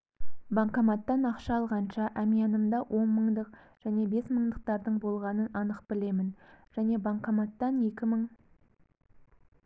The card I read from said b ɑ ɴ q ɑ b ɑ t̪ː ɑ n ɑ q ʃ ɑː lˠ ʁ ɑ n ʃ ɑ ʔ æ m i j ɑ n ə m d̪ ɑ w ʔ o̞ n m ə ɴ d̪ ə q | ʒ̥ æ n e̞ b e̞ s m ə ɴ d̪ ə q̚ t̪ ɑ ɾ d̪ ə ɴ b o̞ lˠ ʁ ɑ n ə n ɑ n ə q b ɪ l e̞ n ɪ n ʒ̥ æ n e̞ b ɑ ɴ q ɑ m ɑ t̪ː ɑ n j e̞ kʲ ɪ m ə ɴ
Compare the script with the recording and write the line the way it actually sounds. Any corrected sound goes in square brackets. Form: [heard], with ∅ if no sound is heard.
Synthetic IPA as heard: b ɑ ɴ q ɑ [m] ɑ t̪ː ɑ n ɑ q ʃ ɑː lˠ ʁ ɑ n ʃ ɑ ʔ æ m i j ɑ n ə m d̪ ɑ w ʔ o̞ n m ə ɴ d̪ ə q | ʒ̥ æ n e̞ b e̞ s m ə ɴ d̪ ə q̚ t̪ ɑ ɾ d̪ ə ɴ b o̞ lˠ ʁ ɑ n ə n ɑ n ə q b ɪ l e̞ [m] ɪ n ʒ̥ æ n e̞ b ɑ ɴ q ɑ m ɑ t̪ː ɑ n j e̞ kʲ ɪ m ə ɴ